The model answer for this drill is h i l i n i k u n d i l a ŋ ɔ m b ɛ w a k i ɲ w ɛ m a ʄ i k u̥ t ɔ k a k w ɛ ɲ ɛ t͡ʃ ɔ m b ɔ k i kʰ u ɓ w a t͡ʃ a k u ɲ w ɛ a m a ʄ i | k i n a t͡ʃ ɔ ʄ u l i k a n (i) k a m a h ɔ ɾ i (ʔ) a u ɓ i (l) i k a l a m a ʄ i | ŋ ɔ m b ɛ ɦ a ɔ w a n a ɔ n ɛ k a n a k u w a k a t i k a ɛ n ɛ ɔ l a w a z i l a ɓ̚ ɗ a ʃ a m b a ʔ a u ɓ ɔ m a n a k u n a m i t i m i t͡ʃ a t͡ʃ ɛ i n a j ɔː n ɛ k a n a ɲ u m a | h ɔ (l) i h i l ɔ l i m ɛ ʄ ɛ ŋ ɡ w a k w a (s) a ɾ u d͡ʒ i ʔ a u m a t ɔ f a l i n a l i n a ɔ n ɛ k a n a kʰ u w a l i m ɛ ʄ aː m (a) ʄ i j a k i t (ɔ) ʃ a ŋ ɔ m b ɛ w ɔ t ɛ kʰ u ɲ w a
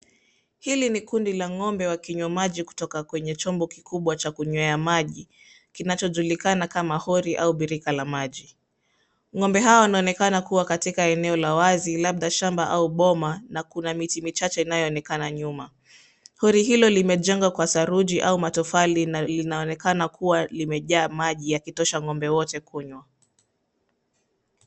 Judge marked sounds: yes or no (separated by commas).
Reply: no, yes, no, no, yes, yes, yes